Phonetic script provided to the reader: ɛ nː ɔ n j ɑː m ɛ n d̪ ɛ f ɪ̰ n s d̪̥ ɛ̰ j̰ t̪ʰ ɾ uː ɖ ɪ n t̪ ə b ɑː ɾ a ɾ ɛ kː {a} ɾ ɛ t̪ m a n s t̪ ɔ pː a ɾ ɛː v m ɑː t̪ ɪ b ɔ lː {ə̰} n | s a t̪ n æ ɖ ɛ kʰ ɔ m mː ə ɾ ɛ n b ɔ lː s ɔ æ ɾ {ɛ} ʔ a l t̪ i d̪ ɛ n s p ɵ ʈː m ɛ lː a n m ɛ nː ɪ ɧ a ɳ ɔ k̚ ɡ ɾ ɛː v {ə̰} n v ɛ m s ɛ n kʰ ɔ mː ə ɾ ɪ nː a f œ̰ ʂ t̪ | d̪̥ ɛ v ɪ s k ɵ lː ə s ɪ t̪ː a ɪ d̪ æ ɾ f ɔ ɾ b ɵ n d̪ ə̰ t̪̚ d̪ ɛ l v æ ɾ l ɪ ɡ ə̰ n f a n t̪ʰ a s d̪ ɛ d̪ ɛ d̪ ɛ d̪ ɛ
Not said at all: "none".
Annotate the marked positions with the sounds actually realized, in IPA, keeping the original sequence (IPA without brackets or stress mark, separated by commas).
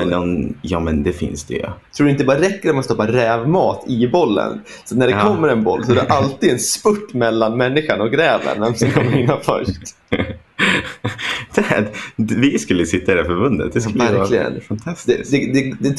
ə, ə̰, ɛ, ə̰